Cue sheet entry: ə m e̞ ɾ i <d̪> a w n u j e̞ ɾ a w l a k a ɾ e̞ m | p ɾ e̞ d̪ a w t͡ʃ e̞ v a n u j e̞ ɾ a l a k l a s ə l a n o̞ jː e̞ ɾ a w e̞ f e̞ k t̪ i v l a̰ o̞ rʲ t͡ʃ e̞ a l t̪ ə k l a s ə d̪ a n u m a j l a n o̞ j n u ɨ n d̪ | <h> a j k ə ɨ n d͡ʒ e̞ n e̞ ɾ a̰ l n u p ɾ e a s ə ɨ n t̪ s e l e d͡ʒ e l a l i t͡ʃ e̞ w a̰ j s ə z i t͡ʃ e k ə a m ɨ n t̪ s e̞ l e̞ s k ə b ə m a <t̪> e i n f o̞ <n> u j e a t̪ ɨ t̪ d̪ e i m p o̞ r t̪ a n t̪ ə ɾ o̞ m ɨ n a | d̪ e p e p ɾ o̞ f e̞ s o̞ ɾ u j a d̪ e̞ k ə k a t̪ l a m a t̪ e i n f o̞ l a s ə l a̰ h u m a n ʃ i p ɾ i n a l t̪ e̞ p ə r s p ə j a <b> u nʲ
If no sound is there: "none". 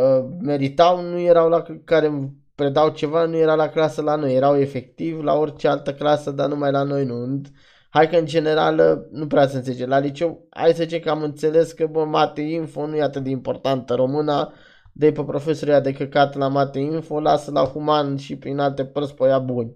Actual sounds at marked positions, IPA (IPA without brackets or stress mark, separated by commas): t̪, h, t̪, n, b